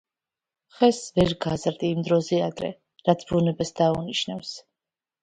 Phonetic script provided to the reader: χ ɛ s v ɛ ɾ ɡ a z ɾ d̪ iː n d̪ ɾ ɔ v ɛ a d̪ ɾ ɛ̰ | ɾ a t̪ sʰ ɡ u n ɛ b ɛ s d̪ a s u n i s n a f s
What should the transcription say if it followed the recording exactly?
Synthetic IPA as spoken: χ ɛ s v ɛ ɾ ɡ a z ɾ d̪ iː m d̪ ɾ ɔ z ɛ a d̪ ɾ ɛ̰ | ɾ a t̪ sʰ b u n ɛ b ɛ s d̪ a u n i ʃ n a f s